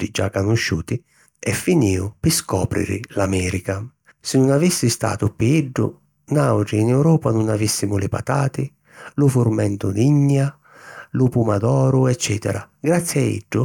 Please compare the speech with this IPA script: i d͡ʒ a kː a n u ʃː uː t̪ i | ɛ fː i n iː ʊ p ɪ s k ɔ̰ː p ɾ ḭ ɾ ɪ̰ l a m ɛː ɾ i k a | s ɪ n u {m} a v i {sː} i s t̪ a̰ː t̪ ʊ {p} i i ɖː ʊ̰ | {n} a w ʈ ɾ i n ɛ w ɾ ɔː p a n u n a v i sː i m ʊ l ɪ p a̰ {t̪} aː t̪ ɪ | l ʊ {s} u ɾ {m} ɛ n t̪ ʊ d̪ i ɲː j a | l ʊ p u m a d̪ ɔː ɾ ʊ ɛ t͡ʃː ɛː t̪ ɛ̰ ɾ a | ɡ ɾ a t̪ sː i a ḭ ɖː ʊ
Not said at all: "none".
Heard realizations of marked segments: n, sː, p, n, t̪, f, m

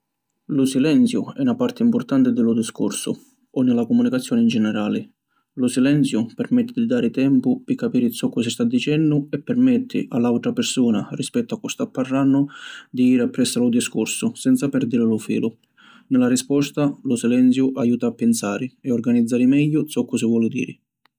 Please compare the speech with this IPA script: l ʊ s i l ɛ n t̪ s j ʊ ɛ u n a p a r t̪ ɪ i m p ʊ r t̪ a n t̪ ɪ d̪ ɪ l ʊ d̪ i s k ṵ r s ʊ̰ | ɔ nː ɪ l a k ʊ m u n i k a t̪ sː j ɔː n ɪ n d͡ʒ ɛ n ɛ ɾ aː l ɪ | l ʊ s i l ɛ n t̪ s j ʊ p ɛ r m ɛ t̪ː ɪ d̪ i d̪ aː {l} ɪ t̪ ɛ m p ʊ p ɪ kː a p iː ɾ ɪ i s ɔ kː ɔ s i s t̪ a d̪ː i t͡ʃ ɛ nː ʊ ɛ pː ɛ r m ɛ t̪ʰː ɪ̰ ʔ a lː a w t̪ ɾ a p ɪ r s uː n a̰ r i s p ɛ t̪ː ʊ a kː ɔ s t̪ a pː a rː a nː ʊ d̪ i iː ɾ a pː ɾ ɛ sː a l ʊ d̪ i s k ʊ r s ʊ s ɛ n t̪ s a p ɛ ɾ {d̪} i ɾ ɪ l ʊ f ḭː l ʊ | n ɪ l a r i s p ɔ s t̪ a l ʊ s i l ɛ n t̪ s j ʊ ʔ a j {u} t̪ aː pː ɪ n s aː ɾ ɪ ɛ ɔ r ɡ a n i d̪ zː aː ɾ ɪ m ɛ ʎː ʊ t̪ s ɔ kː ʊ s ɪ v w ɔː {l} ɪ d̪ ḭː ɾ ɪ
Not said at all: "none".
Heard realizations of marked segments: ɾ, d̪, uː, l

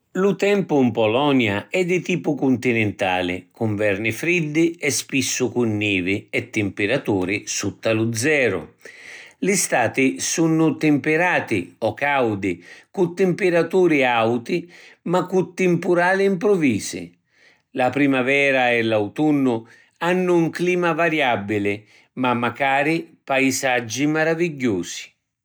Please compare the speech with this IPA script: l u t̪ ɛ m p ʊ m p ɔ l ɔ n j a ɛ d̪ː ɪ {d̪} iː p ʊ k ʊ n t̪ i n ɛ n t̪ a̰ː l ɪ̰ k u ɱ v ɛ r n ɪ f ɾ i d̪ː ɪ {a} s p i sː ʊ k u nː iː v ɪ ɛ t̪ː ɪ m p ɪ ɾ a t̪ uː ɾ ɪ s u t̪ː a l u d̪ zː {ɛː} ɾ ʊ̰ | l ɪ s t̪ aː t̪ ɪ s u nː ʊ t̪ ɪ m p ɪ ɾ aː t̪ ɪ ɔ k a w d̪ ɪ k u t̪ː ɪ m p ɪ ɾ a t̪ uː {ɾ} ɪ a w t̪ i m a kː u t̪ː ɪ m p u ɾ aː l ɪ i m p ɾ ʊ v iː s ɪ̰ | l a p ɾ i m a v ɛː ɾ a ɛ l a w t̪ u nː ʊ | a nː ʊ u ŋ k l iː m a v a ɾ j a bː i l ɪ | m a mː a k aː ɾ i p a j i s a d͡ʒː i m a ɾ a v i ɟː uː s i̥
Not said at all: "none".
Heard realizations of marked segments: t̪, ɛ, ɛː, ɾ

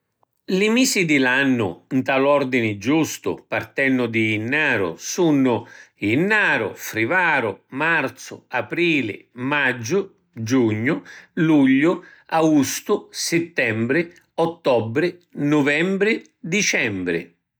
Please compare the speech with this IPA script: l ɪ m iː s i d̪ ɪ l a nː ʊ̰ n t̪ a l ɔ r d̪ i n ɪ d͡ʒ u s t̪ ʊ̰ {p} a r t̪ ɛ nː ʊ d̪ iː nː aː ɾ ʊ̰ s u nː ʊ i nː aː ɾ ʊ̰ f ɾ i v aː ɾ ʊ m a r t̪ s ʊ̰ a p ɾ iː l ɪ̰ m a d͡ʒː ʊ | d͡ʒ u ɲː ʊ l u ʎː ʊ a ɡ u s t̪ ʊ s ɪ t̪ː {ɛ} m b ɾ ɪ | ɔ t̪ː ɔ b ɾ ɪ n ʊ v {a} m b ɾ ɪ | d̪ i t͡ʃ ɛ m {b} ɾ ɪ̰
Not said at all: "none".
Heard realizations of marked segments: p, ɛ, ɛ, b

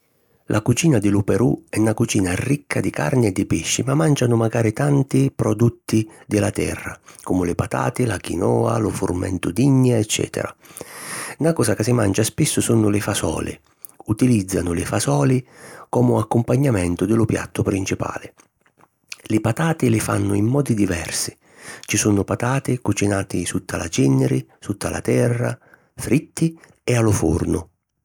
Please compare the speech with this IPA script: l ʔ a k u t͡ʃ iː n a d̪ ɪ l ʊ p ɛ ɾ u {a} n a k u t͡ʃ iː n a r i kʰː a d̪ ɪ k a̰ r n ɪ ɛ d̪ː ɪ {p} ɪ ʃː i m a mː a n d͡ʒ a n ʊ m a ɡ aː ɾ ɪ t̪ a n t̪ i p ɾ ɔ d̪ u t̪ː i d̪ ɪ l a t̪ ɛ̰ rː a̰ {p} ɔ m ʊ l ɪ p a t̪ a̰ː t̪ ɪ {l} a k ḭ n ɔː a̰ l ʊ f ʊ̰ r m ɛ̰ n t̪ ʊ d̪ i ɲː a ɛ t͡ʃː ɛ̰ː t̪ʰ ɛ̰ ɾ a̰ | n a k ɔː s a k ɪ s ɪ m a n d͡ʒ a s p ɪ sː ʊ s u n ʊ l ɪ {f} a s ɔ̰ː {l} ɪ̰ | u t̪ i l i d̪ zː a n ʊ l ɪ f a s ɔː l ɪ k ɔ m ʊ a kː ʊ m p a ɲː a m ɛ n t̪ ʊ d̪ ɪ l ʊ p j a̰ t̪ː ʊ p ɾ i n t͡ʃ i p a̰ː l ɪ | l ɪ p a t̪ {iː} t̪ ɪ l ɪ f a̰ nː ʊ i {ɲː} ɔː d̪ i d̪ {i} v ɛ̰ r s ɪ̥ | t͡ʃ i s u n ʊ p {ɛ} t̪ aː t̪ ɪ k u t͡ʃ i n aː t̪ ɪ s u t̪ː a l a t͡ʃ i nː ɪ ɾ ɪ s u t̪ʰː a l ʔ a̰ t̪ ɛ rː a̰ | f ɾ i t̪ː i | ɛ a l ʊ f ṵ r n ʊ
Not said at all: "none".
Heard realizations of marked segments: ɛ, p, k, l, f, l, aː, mː, i, a

